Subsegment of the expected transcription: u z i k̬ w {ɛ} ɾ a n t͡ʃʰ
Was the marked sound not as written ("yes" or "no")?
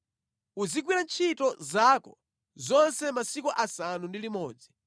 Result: yes